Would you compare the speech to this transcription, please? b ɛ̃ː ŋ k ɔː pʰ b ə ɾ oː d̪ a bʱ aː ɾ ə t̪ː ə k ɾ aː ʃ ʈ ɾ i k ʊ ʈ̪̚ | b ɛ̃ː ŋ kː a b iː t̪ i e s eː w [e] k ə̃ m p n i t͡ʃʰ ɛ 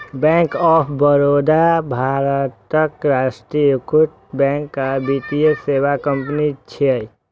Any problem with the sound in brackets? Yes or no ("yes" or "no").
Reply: yes